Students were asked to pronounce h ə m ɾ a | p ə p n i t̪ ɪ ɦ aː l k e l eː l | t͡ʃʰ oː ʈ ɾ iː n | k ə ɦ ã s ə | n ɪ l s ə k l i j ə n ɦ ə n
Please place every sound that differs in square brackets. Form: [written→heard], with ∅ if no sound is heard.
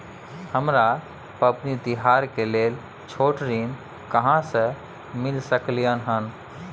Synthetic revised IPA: h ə m ɾ a | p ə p n i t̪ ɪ ɦ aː [l→ɾ] k e l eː l | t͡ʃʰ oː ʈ ɾ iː n | k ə ɦ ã s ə | [n→m] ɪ l s ə k l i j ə n ɦ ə n